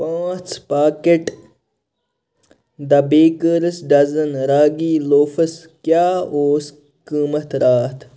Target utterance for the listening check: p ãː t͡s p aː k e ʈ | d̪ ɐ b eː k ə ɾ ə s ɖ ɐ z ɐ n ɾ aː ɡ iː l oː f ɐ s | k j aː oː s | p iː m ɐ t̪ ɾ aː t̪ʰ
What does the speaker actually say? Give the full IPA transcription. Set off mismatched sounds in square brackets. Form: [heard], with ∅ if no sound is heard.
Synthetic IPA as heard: p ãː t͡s p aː k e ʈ | d̪ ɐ b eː k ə ɾ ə s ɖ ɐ z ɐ n ɾ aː ɡ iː l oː f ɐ s | k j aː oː s | [k] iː m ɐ t̪ ɾ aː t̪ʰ